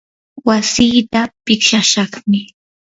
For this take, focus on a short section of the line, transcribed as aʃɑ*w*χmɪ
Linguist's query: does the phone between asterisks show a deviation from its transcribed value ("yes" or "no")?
yes